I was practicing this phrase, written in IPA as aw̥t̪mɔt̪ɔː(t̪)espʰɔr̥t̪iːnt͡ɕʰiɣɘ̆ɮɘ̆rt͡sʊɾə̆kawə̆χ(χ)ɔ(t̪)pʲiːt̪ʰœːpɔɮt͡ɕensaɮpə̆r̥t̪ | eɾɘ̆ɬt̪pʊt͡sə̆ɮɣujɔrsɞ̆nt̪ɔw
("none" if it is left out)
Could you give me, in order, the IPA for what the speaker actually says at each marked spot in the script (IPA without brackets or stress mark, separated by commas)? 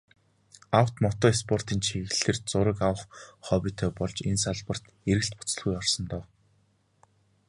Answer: none, χ, none